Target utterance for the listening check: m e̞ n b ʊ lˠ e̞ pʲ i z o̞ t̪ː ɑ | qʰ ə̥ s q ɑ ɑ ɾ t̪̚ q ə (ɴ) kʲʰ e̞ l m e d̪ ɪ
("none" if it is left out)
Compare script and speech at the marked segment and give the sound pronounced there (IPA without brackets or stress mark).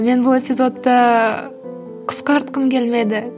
m